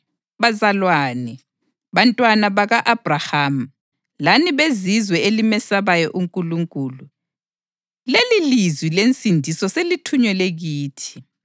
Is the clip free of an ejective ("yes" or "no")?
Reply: no